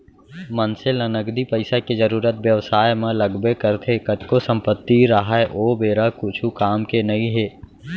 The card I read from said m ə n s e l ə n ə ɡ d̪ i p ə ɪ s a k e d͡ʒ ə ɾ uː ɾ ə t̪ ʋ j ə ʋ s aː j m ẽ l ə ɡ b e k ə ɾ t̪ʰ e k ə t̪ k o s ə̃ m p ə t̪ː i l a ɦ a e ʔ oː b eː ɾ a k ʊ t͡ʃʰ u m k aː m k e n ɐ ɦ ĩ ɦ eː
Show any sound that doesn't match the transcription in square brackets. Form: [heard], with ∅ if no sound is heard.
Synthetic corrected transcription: m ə n s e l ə n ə ɡ d̪ i p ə ɪ s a k e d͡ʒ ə ɾ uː ɾ ə t̪ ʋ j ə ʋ s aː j m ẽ l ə ɡ b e k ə ɾ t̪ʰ e k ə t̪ k o s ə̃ m p ə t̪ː i [ɾ] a ɦ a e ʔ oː b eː ɾ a k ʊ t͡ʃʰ u [∅] k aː m k e n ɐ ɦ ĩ ɦ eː